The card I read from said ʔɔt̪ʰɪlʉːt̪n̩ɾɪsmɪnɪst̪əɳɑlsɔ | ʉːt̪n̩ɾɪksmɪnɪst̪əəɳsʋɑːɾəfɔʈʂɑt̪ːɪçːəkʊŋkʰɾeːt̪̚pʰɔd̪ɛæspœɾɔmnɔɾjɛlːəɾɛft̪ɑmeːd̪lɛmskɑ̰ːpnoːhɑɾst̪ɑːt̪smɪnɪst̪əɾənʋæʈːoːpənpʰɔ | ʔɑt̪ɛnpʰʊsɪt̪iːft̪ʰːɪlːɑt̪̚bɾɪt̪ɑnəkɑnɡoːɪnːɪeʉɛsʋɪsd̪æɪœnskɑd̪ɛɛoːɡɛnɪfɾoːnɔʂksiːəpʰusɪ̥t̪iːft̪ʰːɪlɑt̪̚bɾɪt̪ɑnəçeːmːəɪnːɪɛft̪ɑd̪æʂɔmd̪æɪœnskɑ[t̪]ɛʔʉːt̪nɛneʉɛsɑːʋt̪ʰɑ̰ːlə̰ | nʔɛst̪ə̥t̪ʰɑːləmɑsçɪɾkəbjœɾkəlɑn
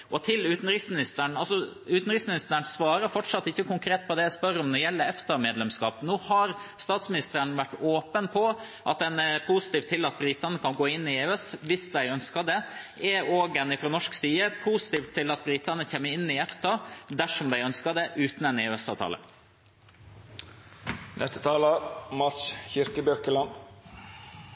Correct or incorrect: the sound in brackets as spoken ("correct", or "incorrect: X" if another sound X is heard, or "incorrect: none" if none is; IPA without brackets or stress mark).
incorrect: d̪